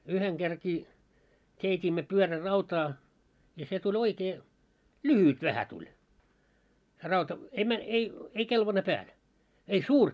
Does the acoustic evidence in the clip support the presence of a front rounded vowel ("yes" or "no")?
yes